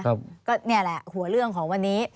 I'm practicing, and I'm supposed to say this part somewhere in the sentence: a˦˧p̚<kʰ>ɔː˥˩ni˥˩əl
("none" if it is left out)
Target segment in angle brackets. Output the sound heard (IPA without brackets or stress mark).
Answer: k